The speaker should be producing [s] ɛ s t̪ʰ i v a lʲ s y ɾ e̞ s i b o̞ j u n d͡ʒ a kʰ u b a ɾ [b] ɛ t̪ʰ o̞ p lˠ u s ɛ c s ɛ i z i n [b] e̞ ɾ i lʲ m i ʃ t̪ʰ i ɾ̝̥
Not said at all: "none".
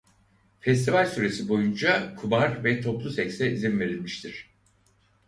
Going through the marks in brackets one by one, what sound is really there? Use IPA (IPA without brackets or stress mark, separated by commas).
f, v, v